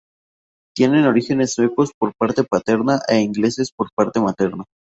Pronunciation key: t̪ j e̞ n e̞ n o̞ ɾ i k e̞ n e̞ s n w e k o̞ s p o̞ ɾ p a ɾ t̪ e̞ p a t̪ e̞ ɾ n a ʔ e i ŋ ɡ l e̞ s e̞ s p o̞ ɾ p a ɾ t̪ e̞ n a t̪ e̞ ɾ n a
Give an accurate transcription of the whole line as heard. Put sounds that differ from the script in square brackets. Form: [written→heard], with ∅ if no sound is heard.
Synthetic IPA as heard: t̪ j e̞ n e̞ n o̞ ɾ i [k→x] e̞ n e̞ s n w e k o̞ s p o̞ ɾ p a ɾ t̪ e̞ p a t̪ e̞ ɾ n a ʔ e i ŋ ɡ l e̞ s e̞ s p o̞ ɾ p a ɾ t̪ e̞ [n→m] a t̪ e̞ ɾ n a